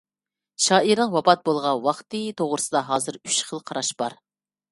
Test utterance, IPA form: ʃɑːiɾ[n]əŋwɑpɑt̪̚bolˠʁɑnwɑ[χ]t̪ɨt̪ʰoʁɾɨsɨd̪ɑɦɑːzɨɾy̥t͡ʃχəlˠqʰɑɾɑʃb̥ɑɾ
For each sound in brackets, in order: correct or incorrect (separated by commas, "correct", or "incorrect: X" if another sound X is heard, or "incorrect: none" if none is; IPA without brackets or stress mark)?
correct, correct